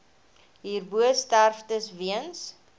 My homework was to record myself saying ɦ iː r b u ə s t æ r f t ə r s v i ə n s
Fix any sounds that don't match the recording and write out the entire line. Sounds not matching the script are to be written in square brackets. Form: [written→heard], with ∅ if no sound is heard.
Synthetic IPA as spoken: ɦ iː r b u ə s t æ r f t ə [r→∅] s v i ə n s

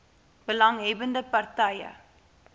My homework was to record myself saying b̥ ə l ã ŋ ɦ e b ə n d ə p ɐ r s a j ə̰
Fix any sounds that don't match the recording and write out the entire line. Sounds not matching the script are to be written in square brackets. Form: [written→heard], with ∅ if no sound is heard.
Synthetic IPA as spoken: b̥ ə l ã ŋ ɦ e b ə n d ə p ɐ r [s→t] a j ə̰

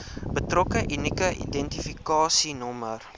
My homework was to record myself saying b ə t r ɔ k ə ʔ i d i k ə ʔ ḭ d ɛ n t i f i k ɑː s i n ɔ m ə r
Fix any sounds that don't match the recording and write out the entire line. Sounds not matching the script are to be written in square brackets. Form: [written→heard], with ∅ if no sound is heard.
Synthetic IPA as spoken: b ə t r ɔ k ə ʔ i [d→n] i k ə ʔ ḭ d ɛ n t i f i k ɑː s i n ɔ m ə r

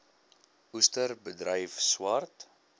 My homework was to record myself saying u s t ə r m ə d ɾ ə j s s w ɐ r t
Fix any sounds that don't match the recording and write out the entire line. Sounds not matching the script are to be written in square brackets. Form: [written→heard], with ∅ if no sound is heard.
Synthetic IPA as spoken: u s t ə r [m→b] ə d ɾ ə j [s→f] s w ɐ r t

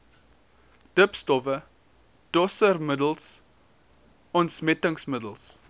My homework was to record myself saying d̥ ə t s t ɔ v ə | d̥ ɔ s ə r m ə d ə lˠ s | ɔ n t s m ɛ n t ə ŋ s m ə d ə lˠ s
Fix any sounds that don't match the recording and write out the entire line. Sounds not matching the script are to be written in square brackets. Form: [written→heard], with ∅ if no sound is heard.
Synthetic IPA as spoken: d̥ ə [t→p] s t ɔ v ə | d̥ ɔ s ə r m ə d ə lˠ s | ɔ n t s m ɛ [n→∅] t ə ŋ s m ə d ə lˠ s

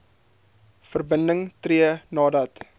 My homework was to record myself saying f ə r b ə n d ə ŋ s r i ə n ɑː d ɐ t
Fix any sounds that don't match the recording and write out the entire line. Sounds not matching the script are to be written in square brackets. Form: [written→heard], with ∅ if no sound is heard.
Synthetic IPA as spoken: f ə r b ə n d ə ŋ [s→t] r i ə n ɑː d ɐ t

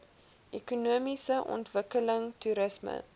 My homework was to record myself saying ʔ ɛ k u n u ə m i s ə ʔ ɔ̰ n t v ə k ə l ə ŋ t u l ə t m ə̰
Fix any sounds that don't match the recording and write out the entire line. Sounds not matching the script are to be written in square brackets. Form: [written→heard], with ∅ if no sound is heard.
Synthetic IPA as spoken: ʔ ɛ k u n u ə m i s ə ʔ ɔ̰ n t v ə k ə l ə ŋ t u [l→ɾ] ə [t→s] m ə̰

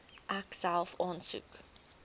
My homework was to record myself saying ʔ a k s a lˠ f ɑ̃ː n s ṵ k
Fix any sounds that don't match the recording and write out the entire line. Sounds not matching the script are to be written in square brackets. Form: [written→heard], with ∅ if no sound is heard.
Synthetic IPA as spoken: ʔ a k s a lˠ f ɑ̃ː n s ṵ k

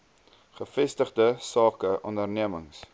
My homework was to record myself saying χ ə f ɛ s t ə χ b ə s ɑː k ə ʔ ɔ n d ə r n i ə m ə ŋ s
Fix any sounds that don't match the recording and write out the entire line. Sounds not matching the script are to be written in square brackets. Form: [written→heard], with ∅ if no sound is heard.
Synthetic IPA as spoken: χ ə f ɛ s t ə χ [b→d] ə s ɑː k ə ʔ ɔ n d ə r n i ə m ə ŋ s

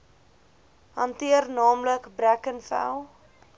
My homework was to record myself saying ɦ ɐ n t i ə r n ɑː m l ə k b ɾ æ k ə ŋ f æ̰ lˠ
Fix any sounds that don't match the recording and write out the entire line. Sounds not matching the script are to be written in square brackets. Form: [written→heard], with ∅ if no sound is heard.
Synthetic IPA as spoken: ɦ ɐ n t i ə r n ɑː m l ə k b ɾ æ k ə [ŋ→n] f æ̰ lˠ

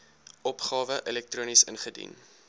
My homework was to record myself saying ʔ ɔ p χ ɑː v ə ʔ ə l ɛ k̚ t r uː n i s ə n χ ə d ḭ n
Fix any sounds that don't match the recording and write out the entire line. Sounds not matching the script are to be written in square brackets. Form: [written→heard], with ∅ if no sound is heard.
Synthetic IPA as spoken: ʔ ɔ p χ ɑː v ə ʔ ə l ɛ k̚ t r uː n i s ə n χ ə d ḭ n

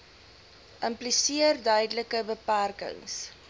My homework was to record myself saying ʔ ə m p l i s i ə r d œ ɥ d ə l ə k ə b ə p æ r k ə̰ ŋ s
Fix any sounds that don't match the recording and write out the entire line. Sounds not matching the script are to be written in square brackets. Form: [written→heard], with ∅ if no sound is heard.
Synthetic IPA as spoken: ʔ ə m p l i s i ə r d œ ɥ d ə l ə k ə b ə p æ r k ə̰ ŋ s

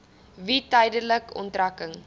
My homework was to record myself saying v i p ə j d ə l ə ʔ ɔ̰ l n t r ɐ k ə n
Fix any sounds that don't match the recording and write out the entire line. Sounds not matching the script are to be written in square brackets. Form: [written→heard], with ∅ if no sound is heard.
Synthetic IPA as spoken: v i [p→t] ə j d ə l ə [ʔ→k] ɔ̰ [l→∅] n t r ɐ k ə [n→ŋ]

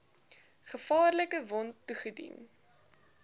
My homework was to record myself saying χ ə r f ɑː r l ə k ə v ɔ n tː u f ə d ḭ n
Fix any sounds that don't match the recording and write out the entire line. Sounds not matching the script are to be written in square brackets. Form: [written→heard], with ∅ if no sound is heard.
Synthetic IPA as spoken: χ ə [r→∅] f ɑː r l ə k ə v ɔ n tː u [f→χ] ə d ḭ n

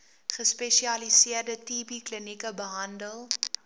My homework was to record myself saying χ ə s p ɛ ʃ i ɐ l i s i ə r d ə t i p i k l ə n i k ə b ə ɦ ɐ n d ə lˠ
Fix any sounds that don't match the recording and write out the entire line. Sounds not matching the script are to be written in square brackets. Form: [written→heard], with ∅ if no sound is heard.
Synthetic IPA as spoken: χ ə s p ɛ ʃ i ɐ l i s i ə r d ə t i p i k l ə n i k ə b ə ɦ ɐ n d ə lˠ

